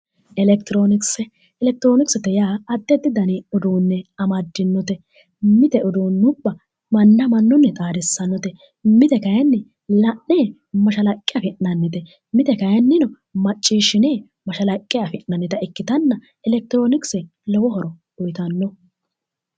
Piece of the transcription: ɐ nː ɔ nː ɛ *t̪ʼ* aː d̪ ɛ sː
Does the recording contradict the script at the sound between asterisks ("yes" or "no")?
no